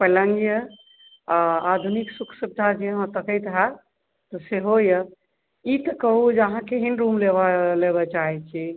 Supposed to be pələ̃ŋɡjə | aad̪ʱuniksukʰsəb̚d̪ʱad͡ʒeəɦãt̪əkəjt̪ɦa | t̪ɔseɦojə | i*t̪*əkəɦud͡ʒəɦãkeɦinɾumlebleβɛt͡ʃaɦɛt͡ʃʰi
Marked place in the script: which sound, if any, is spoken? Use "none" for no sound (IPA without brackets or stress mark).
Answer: t̪